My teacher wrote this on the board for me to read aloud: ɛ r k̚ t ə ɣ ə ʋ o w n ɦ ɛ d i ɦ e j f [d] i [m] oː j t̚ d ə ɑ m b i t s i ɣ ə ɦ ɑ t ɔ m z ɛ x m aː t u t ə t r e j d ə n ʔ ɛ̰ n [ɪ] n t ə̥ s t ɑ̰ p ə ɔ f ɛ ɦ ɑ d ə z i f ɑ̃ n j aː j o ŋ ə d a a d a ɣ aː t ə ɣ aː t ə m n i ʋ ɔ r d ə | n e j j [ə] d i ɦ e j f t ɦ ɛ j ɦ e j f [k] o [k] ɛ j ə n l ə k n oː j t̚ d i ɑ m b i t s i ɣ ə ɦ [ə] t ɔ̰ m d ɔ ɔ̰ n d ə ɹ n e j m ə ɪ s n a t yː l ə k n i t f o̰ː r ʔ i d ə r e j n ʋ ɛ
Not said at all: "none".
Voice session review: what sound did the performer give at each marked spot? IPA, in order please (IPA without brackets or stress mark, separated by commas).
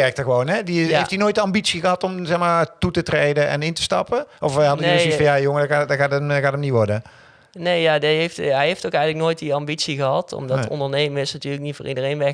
t, n, ɪ, a, t, k, ɑ